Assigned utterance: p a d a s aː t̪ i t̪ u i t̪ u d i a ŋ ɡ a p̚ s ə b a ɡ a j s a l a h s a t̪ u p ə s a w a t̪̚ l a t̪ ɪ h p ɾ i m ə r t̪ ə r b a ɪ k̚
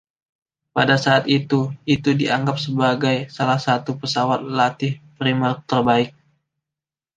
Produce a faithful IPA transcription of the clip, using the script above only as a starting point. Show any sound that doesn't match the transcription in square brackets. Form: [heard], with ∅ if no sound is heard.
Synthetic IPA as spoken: p a d a s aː t̪ i t̪ u i t̪ u d i a ŋ ɡ a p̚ s ə b a ɡ a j s a l a h s a t̪ u p ə s a w a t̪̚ l a t̪ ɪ h p ɾ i m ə r t̪ ə r b a ɪ k̚